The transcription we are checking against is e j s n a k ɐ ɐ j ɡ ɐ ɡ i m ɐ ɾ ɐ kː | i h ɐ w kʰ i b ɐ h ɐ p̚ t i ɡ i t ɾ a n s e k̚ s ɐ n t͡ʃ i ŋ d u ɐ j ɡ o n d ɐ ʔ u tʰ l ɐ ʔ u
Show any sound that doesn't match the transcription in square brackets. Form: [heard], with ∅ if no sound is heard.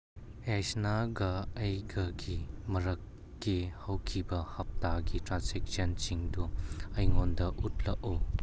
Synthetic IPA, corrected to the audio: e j s n a [ɡ] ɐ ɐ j ɡ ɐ ɡ i m ɐ ɾ ɐ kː | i h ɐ w kʰ i b ɐ h ɐ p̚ t [a] ɡ i t ɾ a n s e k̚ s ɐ n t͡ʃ i ŋ d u ɐ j [ŋ] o n d ɐ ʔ u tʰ l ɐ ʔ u